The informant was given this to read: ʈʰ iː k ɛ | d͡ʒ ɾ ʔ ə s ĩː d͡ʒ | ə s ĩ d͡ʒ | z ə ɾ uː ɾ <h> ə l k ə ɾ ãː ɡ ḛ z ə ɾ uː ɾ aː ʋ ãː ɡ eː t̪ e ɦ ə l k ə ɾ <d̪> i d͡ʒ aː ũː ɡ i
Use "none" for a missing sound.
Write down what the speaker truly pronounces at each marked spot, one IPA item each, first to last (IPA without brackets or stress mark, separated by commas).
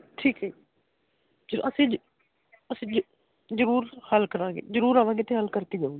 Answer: h, t̪